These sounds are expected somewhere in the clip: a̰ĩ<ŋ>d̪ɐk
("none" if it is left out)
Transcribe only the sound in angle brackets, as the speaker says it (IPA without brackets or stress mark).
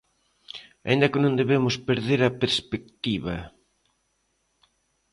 n